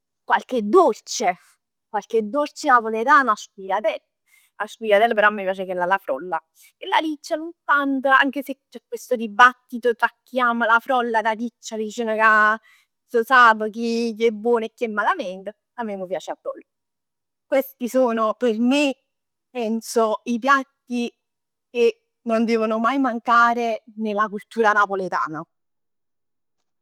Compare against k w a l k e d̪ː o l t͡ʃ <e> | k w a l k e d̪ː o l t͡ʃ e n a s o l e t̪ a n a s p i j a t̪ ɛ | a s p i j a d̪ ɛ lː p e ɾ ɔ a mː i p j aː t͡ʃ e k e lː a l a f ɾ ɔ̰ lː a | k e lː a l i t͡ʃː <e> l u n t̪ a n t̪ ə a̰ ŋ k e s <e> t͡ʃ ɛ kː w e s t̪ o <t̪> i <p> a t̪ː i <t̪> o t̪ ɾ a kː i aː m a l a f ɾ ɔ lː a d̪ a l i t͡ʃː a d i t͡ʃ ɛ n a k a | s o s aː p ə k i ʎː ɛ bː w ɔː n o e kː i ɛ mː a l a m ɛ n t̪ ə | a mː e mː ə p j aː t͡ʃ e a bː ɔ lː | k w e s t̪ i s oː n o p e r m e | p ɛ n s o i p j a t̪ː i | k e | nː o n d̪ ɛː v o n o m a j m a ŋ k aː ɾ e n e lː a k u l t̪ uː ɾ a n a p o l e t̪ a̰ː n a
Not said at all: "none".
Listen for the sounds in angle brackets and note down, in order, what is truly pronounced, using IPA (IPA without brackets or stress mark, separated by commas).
e, a, e, d̪, b, t̪